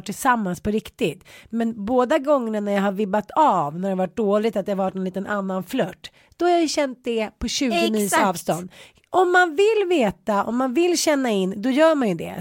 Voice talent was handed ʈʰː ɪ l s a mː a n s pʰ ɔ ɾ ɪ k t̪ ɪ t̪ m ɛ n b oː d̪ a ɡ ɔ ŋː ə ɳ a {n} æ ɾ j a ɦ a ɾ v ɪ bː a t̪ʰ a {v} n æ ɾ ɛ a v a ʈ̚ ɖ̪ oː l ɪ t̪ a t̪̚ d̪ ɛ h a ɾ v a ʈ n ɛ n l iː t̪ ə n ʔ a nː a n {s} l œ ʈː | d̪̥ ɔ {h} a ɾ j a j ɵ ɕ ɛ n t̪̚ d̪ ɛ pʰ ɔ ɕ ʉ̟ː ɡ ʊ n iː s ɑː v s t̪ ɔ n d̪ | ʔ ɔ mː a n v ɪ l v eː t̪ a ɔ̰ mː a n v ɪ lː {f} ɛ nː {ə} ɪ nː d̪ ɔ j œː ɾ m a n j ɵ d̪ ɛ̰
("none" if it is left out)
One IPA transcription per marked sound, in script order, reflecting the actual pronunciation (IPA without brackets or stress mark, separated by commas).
n, v, f, h, ɕ, a